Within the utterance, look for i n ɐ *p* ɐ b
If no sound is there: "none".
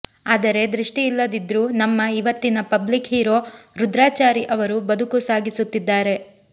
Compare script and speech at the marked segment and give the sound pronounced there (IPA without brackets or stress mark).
p